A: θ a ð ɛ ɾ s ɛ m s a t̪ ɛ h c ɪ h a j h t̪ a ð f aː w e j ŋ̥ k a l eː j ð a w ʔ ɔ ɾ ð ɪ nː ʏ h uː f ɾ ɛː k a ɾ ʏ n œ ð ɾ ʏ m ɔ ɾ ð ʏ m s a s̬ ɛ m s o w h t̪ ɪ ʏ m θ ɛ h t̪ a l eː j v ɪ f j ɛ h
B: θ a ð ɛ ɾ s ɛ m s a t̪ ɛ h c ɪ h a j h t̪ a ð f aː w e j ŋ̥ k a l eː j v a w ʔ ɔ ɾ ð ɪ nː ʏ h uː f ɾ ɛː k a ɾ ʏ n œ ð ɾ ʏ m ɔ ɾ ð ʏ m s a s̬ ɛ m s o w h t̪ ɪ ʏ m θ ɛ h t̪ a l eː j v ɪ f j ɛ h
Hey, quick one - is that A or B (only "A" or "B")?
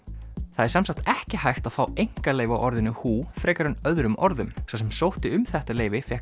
B